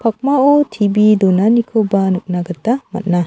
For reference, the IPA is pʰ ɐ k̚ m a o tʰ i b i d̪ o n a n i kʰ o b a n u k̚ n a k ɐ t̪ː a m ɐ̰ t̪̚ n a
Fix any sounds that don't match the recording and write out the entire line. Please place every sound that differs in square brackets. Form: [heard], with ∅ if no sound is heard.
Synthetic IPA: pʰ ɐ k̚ m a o tʰ i b i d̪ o n a n i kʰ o b a n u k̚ n a [ɡ] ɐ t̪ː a m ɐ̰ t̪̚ n a